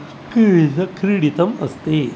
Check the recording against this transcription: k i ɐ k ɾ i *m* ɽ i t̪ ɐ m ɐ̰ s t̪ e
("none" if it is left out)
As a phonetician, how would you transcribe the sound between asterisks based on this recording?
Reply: none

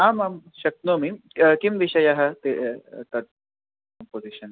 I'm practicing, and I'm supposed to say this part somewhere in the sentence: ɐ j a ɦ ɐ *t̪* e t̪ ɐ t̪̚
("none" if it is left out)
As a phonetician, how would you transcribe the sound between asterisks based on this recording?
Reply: t̪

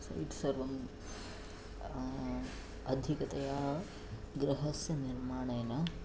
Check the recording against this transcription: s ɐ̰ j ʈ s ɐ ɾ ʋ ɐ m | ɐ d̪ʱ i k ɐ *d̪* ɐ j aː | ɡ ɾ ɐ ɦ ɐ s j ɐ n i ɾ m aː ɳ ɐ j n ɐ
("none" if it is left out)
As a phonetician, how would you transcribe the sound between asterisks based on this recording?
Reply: t̪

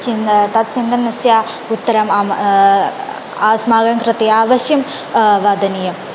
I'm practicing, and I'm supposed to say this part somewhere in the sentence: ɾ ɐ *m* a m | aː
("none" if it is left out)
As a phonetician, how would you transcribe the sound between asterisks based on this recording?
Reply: m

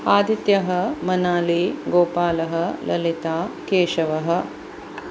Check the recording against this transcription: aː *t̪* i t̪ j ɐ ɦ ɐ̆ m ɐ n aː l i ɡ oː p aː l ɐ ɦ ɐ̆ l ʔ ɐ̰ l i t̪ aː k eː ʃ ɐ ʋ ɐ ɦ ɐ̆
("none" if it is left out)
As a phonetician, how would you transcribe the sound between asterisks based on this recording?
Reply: d̪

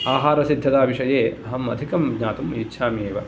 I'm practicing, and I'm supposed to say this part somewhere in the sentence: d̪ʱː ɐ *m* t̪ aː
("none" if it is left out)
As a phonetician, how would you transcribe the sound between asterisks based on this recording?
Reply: none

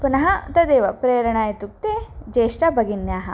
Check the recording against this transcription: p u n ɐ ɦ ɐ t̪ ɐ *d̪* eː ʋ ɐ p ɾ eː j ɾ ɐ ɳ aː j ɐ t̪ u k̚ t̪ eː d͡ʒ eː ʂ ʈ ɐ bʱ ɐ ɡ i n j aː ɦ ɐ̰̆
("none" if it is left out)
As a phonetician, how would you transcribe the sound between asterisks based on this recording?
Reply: d̪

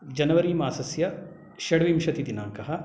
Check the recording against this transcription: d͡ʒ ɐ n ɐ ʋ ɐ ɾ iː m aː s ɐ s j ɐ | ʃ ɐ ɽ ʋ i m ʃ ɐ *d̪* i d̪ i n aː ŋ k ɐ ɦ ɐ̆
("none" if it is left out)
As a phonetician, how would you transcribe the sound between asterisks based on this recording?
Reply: t̪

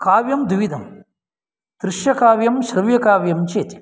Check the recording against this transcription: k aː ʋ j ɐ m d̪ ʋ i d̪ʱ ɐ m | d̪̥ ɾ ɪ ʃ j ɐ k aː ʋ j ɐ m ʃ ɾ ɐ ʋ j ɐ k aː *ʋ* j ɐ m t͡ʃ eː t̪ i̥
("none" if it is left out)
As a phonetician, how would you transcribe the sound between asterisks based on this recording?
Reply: ʋ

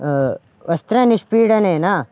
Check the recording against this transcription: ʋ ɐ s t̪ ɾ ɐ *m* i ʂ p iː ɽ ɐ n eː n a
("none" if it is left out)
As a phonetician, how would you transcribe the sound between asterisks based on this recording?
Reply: n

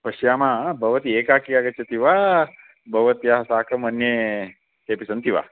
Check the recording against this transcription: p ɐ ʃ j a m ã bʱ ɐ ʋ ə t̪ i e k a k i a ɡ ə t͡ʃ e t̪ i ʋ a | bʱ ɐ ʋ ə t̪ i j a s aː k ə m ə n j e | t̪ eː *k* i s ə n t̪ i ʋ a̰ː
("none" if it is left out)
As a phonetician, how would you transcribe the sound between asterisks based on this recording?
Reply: p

